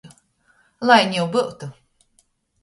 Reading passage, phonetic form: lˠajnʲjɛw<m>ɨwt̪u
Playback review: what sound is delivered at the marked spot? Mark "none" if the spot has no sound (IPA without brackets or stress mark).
b